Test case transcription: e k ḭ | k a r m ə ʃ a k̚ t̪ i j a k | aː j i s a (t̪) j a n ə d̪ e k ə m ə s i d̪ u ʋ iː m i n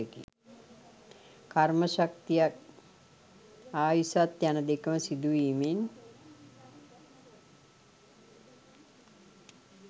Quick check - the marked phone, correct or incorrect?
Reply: correct